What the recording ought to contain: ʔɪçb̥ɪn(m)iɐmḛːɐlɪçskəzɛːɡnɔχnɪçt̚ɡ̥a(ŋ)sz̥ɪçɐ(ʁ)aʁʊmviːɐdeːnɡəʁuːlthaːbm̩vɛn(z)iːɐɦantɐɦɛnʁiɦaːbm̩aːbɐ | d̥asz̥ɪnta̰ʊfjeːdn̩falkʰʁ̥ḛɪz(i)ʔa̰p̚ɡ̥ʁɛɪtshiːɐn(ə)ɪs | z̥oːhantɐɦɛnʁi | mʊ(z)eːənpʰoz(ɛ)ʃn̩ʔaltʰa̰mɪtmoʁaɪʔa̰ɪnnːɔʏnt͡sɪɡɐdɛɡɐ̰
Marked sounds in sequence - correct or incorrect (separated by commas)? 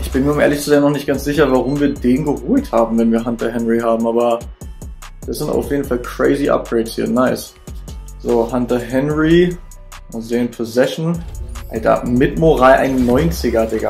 correct, incorrect, incorrect, incorrect, correct, incorrect, correct, correct